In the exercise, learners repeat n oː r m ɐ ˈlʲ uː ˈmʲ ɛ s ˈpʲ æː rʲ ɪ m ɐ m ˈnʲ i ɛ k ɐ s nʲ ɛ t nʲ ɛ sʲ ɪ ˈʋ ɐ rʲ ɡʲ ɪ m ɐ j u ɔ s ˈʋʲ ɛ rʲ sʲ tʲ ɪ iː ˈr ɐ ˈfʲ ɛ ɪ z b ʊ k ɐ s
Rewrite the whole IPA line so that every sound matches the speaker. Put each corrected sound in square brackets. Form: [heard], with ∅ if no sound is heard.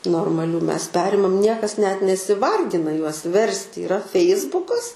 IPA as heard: n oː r m ɐ ˈlʲ uː ˈmʲ ɛ s ˈpʲ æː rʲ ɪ m ɐ m ˈnʲ i ɛ k ɐ s nʲ ɛ t nʲ ɛ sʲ ɪ ˈʋ ɐ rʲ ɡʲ ɪ [n] ɐ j u ɔ s ˈʋʲ ɛ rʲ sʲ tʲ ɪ iː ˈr ɐ ˈfʲ ɛ ɪ z b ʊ k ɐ s